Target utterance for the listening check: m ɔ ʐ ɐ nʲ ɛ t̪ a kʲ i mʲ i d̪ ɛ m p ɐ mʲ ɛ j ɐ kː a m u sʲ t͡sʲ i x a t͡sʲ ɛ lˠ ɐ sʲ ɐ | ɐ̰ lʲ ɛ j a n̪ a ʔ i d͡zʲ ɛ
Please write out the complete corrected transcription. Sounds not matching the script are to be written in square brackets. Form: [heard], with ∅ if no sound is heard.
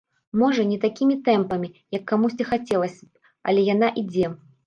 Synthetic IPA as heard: m ɔ ʐ ɐ nʲ ɛ t̪ a kʲ i mʲ i [t̪] ɛ m p ɐ mʲ [i] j ɐ kː a m u sʲ t͡sʲ i x a t͡sʲ ɛ lˠ ɐ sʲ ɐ | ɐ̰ lʲ ɛ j a n̪ a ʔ i d͡zʲ ɛ